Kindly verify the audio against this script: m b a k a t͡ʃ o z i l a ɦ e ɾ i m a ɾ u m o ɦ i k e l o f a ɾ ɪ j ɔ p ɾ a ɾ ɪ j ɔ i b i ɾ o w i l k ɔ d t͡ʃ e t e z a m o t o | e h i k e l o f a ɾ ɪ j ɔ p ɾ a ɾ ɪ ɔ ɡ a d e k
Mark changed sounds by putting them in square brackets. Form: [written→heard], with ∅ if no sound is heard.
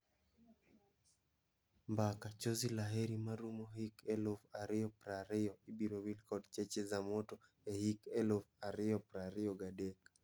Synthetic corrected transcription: m b a k a t͡ʃ o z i l a ɦ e ɾ i m a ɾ u m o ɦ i k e l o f a ɾ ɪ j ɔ p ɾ a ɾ ɪ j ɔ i b i ɾ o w i l k ɔ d t͡ʃ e [t→t͡ʃ] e z a m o t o | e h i k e l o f a ɾ ɪ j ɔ p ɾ a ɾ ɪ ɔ ɡ a d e k